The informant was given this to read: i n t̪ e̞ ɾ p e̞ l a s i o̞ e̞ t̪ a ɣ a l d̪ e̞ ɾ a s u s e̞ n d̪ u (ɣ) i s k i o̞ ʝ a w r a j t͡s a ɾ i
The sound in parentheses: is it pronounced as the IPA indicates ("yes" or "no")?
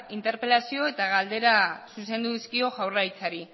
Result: no